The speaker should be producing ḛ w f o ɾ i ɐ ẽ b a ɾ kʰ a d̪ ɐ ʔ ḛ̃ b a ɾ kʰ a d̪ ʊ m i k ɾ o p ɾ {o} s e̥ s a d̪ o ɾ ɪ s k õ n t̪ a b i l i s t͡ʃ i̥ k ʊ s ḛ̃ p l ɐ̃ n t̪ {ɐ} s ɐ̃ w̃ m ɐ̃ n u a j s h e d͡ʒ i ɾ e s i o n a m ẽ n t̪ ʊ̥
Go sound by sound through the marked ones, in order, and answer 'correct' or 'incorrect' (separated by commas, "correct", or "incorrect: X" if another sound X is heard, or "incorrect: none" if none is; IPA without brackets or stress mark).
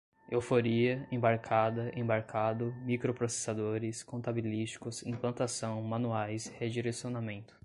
correct, incorrect: a